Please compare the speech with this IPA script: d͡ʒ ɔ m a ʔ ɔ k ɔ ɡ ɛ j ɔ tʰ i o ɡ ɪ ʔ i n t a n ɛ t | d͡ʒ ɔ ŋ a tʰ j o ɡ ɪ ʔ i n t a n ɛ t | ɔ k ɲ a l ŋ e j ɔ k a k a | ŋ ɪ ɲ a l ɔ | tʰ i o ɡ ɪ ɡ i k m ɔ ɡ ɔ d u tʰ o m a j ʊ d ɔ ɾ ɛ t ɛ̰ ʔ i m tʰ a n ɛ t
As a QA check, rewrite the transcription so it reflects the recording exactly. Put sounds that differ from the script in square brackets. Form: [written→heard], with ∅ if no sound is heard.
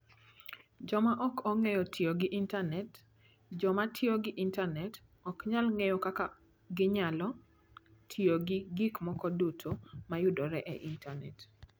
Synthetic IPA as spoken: d͡ʒ ɔ m a ʔ ɔ k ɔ [ɡ→ŋ] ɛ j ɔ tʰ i o ɡ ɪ ʔ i n t a n ɛ t | d͡ʒ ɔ [ŋ→m] a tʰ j o ɡ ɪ ʔ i n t a n ɛ t | ɔ k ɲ a l ŋ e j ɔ k a k a | [ŋ→ɡ] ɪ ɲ a l ɔ | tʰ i o ɡ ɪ ɡ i k m ɔ [ɡ→k] ɔ d u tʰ o m a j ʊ d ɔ ɾ ɛ [t→ʔ] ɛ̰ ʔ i [m→n] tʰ a n ɛ t